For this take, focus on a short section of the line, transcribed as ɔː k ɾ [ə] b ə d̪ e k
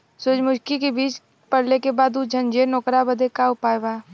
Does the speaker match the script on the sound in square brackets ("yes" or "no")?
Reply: no